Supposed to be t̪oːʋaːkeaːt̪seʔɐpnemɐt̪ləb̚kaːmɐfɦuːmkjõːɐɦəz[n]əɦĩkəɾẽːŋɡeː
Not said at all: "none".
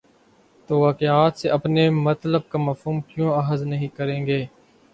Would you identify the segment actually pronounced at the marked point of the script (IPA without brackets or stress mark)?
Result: n